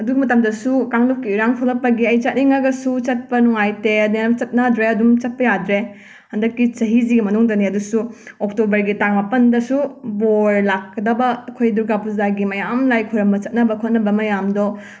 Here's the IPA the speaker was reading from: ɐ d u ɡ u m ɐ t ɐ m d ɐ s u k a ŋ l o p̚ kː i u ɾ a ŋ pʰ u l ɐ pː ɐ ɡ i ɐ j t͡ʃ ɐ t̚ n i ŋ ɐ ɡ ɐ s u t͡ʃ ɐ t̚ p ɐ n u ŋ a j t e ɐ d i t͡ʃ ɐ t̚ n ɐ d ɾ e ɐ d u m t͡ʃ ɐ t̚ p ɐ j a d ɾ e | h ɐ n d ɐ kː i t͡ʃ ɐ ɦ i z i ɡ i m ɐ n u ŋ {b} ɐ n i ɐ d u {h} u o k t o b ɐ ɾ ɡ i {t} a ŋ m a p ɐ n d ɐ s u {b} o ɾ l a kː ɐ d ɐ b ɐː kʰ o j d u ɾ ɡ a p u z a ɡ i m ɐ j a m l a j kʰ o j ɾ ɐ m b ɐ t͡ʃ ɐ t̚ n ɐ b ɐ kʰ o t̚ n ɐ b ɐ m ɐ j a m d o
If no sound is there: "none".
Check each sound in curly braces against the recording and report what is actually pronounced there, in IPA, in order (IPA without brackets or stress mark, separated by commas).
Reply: d, s, t, b